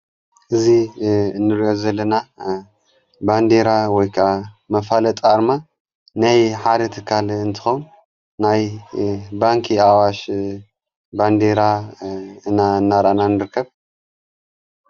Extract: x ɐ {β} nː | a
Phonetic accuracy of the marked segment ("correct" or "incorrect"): incorrect